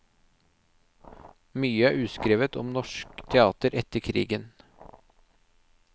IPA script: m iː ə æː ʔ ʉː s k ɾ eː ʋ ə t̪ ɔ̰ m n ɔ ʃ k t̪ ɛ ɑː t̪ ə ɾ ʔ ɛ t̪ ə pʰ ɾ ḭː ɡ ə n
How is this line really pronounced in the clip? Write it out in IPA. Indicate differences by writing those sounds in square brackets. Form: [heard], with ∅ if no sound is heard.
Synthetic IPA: m [yː] ə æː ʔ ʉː s k ɾ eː ʋ ə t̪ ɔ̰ m n ɔ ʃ k [t̪ʰ] ɛ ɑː t̪ ə ɾ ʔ ɛ t̪ ə [kʰ] ɾ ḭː ɡ ə n

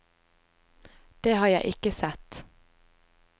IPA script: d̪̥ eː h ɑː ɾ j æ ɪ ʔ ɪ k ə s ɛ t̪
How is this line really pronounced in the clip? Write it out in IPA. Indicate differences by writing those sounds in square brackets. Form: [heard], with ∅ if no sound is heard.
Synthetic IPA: d̪̥ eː h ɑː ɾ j æ ɪ ʔ ɪ k ə s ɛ t̪

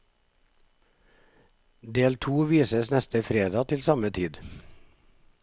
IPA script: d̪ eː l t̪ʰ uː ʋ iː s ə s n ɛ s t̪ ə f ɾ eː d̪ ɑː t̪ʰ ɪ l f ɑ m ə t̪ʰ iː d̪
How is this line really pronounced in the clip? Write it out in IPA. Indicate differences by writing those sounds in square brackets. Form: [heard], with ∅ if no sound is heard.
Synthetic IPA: d̪ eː l t̪ʰ uː ʋ iː s ə s n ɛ s t̪ ə f ɾ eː d̪ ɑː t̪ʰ ɪ l [s] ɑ m ə t̪ʰ iː d̪

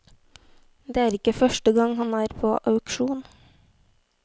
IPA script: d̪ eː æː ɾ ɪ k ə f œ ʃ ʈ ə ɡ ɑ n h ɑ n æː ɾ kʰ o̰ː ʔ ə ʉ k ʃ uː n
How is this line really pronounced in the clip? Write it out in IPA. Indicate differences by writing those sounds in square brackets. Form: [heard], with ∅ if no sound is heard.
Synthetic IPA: d̪ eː æː ɾ ɪ k ə f œ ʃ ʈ ə ɡ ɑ [ŋ] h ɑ n æː ɾ [pʰ] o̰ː ʔ [ɑ] ʉ k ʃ uː n

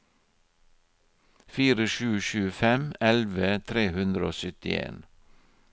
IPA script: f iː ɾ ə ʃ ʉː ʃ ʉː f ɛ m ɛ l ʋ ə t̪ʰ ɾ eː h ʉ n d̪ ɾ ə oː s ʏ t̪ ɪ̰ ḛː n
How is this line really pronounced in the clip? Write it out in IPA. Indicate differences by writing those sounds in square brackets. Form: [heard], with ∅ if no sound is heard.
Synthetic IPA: f iː ɾ ə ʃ ʉː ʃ ʉː f ɛ m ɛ l ʋ ə t̪ʰ ɾ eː h ʉ n d̪ ɾ ə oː s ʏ t̪ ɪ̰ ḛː n

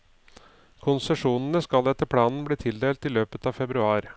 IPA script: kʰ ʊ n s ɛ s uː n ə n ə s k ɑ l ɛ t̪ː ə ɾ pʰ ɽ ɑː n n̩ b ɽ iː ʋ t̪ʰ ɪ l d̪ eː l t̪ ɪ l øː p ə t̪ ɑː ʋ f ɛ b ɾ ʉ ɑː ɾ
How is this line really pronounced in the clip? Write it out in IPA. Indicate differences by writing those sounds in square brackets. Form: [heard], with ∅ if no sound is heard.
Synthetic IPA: kʰ ʊ n s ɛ [ʂ] uː n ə n ə s k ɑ l ɛ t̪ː ə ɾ pʰ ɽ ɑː n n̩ b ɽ iː [∅] t̪ʰ ɪ l d̪ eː l t̪ ɪ l øː p ə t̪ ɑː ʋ f ɛ b ɾ ʉ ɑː ɾ

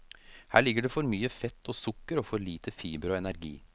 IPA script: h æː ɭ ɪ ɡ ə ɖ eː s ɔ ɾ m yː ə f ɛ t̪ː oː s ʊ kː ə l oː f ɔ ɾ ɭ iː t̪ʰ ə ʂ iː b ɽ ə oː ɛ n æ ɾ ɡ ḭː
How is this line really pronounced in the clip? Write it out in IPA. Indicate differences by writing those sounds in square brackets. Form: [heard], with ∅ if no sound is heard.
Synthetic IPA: h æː ɭ ɪ ɡ ə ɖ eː [f] ɔ ɾ m yː ə f ɛ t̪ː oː s ʊ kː ə [ɾ] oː f ɔ ɾ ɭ iː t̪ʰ ə [f] iː b [ɾ] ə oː ɛ n æ ɾ ɡ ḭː

